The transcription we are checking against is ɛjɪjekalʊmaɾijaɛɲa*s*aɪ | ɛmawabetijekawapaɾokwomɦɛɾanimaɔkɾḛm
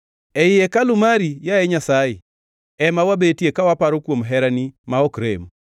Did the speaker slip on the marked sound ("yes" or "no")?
no